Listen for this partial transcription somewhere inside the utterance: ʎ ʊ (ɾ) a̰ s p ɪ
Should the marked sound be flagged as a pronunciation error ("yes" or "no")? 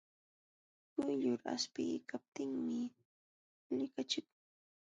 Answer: no